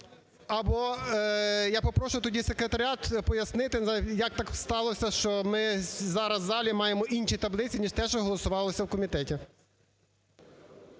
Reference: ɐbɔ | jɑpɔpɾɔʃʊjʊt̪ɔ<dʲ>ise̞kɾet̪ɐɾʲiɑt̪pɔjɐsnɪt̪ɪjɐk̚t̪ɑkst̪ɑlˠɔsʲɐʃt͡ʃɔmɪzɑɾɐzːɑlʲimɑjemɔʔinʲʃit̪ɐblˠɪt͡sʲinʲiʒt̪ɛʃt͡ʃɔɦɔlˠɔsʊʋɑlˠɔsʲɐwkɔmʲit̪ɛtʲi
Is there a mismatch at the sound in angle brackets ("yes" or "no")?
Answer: no